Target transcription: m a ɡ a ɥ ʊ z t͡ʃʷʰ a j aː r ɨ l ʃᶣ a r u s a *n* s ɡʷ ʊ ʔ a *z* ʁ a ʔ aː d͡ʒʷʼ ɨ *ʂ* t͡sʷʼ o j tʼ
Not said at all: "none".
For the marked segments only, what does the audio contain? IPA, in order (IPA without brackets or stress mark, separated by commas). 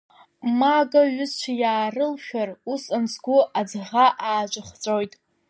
n, d͡z, χ